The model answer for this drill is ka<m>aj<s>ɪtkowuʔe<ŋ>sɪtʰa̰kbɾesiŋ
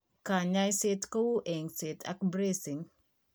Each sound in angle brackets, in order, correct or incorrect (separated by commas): incorrect, correct, correct